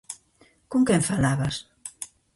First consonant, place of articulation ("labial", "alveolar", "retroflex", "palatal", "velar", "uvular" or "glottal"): velar